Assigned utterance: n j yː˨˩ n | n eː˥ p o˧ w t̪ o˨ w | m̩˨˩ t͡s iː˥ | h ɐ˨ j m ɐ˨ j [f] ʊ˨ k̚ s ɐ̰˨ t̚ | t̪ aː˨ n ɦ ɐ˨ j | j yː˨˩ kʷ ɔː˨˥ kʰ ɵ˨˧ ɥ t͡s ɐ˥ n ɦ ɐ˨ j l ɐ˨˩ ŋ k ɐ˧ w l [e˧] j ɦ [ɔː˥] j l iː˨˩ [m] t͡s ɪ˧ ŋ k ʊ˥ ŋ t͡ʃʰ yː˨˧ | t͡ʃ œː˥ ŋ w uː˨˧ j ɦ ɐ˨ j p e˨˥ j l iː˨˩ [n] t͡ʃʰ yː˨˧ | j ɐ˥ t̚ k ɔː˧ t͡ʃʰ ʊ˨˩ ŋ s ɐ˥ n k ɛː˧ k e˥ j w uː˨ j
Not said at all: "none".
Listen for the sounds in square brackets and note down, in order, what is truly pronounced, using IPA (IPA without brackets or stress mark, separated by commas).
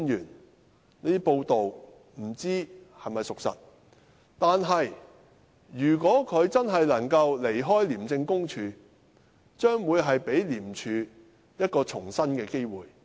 s, e˨˩, ɔː˥, m, m